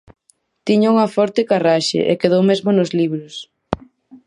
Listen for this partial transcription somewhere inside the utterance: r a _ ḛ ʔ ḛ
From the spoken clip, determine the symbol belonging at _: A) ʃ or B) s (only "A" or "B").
A